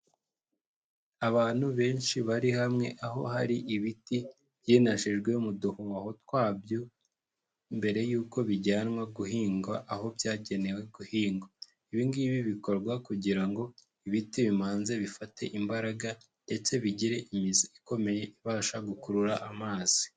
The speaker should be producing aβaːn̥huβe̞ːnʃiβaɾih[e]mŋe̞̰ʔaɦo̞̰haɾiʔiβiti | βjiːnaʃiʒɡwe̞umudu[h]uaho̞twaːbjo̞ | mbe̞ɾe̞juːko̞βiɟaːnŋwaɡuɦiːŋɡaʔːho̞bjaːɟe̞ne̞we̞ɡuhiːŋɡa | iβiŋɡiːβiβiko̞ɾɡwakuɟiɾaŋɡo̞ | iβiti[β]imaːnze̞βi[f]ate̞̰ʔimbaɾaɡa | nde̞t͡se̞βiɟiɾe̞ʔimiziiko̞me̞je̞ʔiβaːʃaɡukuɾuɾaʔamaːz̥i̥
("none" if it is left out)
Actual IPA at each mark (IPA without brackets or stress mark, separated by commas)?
a, h, β, f